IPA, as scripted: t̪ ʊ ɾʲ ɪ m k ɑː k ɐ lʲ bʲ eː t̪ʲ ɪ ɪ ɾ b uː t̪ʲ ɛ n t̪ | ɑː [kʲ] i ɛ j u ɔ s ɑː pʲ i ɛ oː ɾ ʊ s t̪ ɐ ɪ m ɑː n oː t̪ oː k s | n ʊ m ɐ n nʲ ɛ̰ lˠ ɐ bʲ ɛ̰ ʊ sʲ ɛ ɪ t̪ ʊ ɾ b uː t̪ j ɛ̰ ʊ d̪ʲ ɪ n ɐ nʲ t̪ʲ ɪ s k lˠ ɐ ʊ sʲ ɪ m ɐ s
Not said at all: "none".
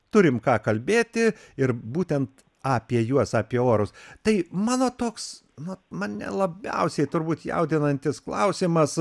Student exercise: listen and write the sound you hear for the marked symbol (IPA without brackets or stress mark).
pʲ